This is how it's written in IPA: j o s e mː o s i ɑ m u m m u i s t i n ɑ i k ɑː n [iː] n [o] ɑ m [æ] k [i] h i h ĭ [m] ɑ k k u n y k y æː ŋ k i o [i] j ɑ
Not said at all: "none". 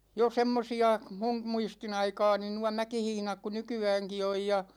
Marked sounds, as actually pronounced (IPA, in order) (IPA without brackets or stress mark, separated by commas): i, u, æ, i, n, j